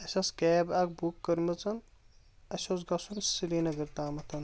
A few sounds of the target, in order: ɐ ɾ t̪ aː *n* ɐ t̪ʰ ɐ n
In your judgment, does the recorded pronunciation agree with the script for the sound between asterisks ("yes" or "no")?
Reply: no